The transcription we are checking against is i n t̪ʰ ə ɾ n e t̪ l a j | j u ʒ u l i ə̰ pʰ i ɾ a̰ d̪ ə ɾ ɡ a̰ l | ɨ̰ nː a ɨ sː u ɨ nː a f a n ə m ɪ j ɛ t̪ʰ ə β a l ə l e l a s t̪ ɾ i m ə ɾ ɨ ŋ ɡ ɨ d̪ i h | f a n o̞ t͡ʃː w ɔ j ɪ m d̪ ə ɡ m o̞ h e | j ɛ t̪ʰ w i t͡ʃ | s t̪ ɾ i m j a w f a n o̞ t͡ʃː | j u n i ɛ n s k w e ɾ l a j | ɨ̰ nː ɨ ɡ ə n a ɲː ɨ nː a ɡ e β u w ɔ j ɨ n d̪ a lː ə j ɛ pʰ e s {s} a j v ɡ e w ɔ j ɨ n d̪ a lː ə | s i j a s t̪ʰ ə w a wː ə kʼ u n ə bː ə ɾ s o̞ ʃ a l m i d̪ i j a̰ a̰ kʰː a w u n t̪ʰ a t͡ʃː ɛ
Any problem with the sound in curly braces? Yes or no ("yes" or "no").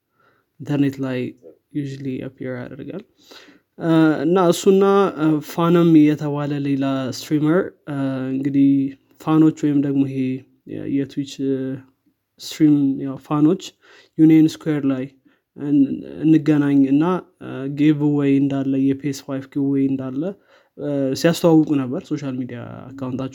yes